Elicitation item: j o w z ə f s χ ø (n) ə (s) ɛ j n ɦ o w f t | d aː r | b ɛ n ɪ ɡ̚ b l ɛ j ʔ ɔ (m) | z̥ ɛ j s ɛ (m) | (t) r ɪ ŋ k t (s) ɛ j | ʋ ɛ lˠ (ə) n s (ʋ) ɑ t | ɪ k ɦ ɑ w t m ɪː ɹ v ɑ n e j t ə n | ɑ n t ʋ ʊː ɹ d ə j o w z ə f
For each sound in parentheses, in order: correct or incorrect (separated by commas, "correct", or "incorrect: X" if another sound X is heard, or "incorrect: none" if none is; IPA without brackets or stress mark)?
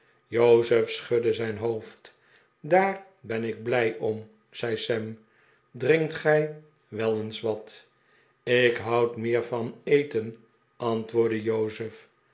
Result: incorrect: d, incorrect: z, correct, correct, incorrect: d, incorrect: χ, correct, correct